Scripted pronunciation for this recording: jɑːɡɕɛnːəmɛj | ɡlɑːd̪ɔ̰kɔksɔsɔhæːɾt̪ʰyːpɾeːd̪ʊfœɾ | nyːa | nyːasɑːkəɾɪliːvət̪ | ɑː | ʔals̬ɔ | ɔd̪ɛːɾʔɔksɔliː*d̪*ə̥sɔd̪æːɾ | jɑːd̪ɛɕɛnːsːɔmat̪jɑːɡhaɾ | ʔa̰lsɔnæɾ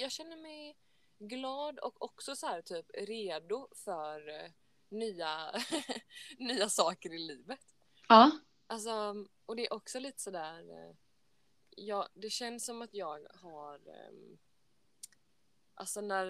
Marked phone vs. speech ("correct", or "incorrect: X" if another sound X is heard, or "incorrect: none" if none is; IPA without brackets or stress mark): incorrect: t̪